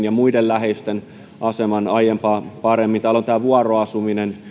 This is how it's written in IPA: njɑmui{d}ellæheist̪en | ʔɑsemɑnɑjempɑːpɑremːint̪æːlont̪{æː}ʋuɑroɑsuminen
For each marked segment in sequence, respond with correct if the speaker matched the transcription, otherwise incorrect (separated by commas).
correct, correct